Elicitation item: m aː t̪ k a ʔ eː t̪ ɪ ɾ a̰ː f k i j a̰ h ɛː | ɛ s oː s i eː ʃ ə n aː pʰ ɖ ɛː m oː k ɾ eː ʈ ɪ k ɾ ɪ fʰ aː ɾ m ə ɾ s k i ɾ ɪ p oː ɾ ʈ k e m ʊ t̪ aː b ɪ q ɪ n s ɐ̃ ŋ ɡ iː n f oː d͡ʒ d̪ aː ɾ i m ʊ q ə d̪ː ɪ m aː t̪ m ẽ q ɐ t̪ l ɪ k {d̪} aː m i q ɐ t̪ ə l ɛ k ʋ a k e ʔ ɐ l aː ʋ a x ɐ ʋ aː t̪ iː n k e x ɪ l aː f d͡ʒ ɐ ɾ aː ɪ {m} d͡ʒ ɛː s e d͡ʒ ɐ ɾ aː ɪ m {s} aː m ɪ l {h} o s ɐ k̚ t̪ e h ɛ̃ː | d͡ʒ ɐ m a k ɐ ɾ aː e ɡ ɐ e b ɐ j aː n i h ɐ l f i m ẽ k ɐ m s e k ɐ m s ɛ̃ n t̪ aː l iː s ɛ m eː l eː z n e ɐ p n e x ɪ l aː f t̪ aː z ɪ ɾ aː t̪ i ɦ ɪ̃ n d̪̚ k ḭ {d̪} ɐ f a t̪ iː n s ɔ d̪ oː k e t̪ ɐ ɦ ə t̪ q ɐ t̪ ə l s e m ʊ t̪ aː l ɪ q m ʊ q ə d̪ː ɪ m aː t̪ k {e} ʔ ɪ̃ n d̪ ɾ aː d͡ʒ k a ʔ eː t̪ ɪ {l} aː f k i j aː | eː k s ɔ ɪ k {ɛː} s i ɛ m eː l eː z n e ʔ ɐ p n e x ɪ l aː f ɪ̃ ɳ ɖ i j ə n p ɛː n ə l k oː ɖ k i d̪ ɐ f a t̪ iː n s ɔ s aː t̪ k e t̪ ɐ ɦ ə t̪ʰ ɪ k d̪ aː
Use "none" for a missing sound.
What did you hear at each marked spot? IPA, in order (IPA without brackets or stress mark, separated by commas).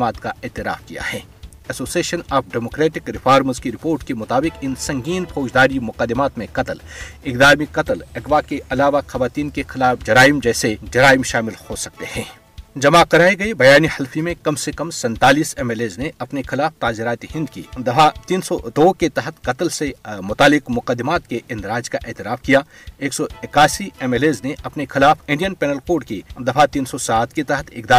d̪, m, ʃ, h, d̪, e, ɾ, aː